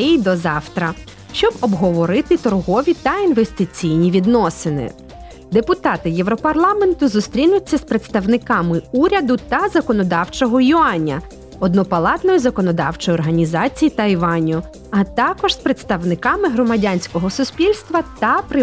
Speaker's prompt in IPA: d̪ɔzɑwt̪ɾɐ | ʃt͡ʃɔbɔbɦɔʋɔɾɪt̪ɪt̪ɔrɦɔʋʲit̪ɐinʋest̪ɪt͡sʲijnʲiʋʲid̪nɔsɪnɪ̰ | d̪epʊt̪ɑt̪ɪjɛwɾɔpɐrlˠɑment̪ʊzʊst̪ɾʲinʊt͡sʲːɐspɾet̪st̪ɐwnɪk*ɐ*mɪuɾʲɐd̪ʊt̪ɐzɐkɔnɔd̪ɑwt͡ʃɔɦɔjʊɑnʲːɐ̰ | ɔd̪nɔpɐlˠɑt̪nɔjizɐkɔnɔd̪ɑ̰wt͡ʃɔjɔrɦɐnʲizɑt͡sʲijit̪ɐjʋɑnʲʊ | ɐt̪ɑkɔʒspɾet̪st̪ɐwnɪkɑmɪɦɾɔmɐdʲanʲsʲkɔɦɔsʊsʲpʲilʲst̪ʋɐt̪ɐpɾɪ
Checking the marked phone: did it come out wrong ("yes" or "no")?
yes